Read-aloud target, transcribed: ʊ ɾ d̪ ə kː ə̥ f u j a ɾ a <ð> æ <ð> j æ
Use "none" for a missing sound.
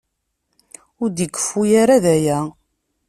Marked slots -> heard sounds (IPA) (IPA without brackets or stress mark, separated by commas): ð, none